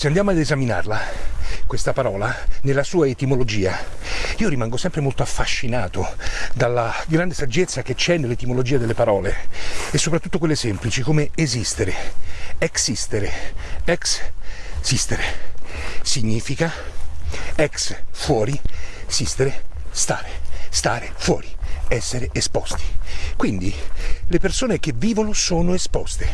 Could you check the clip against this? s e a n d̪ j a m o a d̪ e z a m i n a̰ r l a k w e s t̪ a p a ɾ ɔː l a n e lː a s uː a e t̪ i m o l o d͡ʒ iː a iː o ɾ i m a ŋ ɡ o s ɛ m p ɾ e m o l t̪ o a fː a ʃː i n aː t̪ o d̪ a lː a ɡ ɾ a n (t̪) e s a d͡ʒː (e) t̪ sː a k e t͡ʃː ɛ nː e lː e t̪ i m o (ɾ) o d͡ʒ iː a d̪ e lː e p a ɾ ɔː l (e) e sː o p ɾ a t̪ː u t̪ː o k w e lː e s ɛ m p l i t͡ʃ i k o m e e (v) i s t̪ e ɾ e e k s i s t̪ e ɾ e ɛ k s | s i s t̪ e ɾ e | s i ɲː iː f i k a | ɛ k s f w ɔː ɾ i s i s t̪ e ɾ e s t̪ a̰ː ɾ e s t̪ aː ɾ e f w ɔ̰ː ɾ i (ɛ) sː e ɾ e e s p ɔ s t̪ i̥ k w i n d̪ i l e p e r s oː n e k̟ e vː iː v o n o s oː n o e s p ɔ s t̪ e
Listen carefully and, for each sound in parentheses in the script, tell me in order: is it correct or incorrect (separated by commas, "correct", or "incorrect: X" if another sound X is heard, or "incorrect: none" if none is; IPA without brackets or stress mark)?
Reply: incorrect: d̪, correct, incorrect: l, correct, incorrect: z, correct